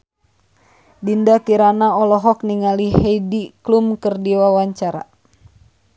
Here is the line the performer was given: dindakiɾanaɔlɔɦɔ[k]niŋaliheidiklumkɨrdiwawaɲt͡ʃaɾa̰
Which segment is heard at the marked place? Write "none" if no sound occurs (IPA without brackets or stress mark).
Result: k